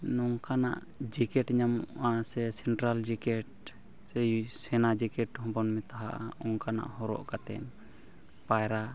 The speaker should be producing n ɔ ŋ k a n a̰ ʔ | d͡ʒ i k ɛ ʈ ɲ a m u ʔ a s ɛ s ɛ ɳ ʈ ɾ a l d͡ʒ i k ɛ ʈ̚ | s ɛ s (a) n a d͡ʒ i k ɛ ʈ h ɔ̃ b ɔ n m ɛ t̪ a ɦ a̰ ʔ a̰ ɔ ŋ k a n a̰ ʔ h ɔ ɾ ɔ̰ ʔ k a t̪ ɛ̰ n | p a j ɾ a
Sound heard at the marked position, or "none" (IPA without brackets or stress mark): ɛ